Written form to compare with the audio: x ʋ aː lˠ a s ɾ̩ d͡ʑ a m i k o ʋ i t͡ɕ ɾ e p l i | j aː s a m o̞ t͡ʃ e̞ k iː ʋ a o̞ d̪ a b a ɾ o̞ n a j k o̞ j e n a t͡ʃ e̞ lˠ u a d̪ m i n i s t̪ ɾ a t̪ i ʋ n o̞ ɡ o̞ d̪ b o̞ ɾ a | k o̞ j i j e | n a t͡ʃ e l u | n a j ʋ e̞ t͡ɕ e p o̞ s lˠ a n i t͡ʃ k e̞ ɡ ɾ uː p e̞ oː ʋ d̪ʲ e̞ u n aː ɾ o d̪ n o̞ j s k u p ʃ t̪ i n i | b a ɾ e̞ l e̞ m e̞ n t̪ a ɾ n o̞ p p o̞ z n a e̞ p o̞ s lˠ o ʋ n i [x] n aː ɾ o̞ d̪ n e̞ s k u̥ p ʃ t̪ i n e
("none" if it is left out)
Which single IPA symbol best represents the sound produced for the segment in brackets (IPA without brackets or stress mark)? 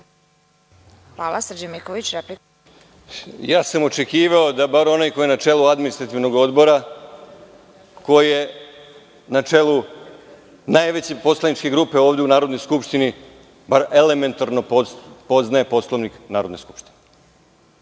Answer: k